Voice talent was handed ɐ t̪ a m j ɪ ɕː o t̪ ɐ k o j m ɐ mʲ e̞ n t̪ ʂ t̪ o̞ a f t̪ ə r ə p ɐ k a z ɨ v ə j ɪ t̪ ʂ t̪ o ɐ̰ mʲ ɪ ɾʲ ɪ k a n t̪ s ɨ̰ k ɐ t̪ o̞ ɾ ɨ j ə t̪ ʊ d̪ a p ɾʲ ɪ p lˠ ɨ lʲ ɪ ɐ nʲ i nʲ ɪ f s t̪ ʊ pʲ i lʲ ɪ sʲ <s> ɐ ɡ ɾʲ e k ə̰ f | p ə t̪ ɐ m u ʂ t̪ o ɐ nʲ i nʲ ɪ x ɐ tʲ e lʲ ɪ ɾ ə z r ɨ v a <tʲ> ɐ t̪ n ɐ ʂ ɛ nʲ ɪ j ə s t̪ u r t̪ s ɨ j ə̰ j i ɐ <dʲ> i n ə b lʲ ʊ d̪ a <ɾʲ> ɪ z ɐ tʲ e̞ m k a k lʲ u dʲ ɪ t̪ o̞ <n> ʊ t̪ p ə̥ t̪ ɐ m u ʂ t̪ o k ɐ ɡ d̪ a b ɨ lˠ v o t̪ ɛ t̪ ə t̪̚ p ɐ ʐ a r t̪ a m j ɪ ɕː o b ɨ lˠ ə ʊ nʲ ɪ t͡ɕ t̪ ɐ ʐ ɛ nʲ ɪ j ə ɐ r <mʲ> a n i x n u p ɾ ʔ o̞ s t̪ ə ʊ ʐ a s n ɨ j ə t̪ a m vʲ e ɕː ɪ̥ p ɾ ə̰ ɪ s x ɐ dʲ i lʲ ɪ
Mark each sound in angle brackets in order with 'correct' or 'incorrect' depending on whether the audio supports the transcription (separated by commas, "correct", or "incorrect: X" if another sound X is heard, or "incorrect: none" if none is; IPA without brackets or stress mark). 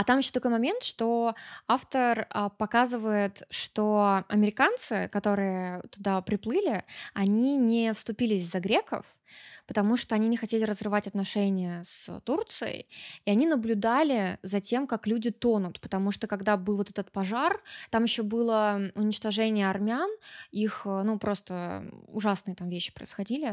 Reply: incorrect: z, correct, incorrect: nʲ, incorrect: lʲ, correct, correct